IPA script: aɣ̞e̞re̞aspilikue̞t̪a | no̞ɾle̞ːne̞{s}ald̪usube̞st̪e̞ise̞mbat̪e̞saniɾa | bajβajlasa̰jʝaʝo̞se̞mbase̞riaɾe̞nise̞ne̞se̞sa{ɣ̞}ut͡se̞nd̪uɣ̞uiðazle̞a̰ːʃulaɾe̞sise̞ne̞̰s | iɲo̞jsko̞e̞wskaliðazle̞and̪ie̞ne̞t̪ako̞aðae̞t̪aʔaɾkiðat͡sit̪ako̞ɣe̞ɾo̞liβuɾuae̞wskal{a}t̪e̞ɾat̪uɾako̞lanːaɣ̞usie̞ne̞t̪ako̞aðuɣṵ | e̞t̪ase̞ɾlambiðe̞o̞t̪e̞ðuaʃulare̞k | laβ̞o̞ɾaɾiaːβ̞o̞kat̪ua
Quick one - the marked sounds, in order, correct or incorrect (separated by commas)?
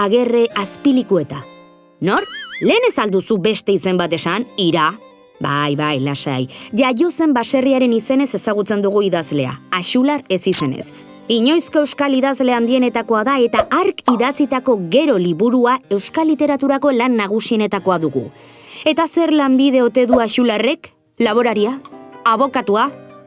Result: correct, correct, incorrect